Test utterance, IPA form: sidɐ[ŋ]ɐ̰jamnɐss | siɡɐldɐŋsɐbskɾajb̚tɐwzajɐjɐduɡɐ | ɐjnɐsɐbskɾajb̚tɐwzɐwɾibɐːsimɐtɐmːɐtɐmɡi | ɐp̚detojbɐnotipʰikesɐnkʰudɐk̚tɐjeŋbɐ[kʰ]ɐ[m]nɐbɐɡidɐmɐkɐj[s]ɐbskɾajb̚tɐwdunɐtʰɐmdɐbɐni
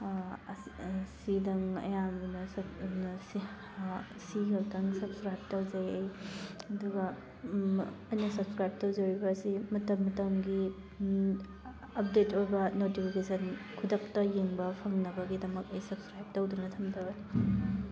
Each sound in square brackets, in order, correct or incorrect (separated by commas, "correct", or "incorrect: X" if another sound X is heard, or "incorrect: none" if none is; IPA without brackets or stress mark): correct, incorrect: pʰ, incorrect: ŋ, correct